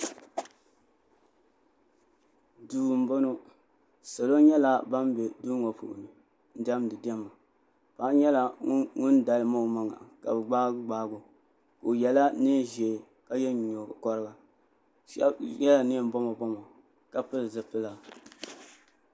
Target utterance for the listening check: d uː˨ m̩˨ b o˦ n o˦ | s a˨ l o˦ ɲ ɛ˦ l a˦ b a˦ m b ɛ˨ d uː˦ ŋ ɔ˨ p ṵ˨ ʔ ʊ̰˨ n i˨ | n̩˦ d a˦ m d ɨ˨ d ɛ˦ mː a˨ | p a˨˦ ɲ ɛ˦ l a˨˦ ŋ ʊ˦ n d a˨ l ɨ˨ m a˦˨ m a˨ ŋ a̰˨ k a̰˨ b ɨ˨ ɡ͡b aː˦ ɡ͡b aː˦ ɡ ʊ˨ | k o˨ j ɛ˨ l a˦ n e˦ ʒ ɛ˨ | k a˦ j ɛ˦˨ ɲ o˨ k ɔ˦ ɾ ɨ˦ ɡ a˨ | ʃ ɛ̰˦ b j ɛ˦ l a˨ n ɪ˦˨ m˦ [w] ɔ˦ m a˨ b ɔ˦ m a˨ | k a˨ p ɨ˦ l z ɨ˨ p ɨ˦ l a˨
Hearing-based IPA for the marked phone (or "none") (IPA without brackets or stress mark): b